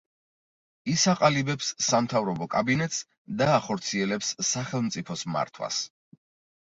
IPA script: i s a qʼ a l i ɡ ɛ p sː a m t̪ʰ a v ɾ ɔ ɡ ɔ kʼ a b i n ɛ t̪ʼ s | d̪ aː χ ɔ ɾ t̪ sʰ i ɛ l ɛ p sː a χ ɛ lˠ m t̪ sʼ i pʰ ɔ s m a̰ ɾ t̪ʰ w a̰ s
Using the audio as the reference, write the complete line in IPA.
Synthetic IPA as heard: i s a qʼ a l i b ɛ p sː a m t̪ʰ a v ɾ ɔ b ɔ kʼ a b i n ɛ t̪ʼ s | d̪ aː χ ɔ ɾ t̪ sʰ i ɛ l ɛ p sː a χ ɛ lˠ m t̪ sʼ i pʰ ɔ s m a̰ ɾ t̪ʰ w a̰ s

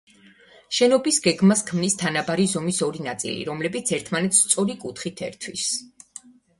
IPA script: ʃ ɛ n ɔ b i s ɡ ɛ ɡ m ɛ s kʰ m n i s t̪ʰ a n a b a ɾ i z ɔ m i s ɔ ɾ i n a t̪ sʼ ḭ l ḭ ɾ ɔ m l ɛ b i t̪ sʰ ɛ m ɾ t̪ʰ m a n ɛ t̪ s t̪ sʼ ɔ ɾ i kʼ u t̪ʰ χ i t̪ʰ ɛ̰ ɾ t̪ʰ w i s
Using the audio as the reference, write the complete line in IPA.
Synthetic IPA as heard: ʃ ɛ n ɔ b i s ɡ ɛ ɡ m a s kʰ m n i s t̪ʰ a n a b a ɾ i z ɔ m i s ɔ ɾ i n a t̪ sʼ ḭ l ḭ ɾ ɔ m l ɛ b i t̪ sʰ ɛ ɾ t̪ʰ m a n ɛ t̪ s t̪ sʼ ɔ ɾ i kʼ u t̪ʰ χ i t̪ʰ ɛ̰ ɾ t̪ʰ w i s

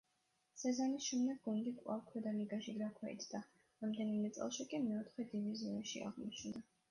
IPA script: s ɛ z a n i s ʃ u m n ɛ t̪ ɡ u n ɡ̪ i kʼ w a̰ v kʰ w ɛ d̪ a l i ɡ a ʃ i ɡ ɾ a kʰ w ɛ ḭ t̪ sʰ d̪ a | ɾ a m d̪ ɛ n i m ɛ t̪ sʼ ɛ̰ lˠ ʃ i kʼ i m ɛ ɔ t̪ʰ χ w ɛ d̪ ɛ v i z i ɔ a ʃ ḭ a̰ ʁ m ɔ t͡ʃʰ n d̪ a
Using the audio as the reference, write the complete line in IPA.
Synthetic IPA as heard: s ɛ z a n i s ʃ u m n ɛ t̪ ɡ u n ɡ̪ i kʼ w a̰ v kʰ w ɛ d̪ a l i ɡ a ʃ i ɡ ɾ a kʰ w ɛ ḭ t̪ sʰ d̪ a | ɾ a m d̪ ɛ n i m ɛ t̪ sʼ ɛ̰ lˠ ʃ i kʼ i m ɛ ɔ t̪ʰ χ w ɛ d̪ i v i z i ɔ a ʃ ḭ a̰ ʁ m ɔ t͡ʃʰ n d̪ a

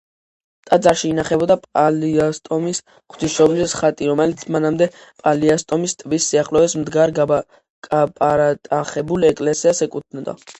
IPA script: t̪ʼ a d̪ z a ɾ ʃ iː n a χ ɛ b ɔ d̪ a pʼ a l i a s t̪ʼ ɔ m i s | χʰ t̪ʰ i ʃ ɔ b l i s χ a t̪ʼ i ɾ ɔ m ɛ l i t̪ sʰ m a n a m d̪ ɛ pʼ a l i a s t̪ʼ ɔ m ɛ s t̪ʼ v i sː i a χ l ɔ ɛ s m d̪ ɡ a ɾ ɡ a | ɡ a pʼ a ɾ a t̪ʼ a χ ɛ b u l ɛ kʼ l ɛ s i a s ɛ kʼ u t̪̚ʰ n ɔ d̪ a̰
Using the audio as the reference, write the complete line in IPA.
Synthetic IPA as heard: t̪ʼ a d̪ z a ɾ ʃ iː n a χ ɛ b ɔ d̪ a pʼ a l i a s t̪ʼ ɔ m i s | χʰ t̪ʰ i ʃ ɔ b l i s χ a t̪ʼ i ɾ ɔ m ɛ l i t̪ sʰ m a n a m d̪ ɛ pʼ a l i a s t̪ʼ ɔ m i s t̪ʼ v i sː i a χ l ɔ ɛ s m d̪ ɡ a ɾ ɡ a | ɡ a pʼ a ɾ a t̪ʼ a χ ɛ b u l ɛ kʼ l ɛ s i a s ɛ kʼ u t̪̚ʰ n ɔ d̪ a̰

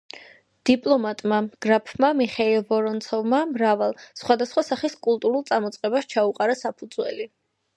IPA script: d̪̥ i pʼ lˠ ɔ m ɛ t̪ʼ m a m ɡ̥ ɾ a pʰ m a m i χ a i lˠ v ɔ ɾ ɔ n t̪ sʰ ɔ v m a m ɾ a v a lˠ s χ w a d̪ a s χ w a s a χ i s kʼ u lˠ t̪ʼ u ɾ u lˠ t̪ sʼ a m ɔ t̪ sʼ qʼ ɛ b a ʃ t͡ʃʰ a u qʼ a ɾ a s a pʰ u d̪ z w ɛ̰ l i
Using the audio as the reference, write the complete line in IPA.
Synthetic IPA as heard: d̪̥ i pʼ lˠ ɔ m a t̪ʼ m a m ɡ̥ ɾ a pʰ m a m i χ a i lˠ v ɔ ɾ ɔ n t̪ sʰ ɔ v m a m ɾ a v a lˠ s χ w a d̪ a s χ w a s a χ i s kʼ u lˠ t̪ʼ u ɾ u lˠ t̪ sʼ a m ɔ t̪ sʼ qʼ ɛ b a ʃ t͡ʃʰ a u qʼ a ɾ a s a pʰ u d̪ z w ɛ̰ l i

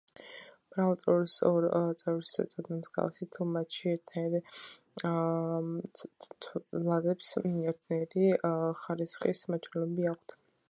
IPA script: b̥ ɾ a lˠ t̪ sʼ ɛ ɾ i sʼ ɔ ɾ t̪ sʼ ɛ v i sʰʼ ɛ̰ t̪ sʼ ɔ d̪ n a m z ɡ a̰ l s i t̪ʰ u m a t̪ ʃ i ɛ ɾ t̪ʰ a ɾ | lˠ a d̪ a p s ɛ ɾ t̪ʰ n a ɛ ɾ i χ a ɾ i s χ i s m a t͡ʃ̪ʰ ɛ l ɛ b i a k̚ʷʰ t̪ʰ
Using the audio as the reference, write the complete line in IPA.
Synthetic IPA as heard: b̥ ɾ a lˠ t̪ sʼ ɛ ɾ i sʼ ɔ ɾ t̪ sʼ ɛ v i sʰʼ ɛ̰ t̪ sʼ ɔ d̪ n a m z ɡ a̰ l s i t̪ʰ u m a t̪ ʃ i ɛ ɾ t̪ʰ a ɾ | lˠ a d̪ ɛ p s ɛ ɾ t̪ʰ n a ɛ ɾ i χ a ɾ i s χ i s m a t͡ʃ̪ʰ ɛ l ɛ b i a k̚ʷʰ t̪ʰ

